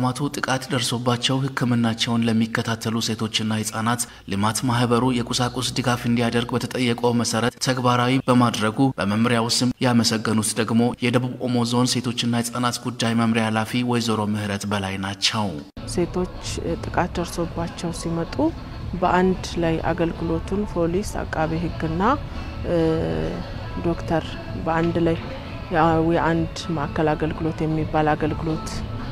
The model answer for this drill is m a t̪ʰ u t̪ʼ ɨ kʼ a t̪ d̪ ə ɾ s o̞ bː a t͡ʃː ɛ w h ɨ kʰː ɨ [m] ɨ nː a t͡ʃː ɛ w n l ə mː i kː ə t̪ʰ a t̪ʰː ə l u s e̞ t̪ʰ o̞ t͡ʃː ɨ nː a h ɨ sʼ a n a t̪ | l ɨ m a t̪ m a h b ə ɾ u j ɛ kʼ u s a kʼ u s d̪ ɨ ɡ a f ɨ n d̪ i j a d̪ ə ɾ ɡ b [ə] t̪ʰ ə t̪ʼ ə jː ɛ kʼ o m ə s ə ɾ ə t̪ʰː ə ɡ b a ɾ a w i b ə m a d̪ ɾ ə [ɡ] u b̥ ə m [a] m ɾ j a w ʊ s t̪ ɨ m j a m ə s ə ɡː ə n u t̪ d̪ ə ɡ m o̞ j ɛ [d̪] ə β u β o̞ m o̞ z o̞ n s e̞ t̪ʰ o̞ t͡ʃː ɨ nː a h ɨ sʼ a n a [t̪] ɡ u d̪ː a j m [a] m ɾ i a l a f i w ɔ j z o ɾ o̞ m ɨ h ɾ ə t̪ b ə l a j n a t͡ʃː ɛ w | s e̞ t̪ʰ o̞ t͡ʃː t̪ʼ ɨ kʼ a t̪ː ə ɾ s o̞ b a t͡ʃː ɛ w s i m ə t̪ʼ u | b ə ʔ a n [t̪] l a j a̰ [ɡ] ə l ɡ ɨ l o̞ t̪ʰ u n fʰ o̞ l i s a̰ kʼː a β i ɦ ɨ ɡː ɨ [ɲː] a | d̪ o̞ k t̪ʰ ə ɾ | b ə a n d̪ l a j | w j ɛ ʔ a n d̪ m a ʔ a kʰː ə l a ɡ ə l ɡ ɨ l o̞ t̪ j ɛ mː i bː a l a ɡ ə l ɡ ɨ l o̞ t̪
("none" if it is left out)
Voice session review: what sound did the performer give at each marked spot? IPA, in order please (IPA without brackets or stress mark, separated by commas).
m, ə, ɡ, ə, d̪, t̪, ə, d̪, ɡ, nː